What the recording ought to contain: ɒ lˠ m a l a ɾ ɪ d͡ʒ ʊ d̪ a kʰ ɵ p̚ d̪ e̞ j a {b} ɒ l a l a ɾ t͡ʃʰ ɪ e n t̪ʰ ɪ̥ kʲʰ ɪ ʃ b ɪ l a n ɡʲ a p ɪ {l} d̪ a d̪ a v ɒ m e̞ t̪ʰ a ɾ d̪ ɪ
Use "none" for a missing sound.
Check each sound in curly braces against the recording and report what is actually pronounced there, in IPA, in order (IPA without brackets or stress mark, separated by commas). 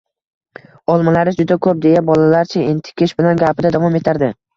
b, none